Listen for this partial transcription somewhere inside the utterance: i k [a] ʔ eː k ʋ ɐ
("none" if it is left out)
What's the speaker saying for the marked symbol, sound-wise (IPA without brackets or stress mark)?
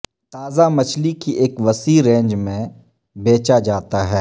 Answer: i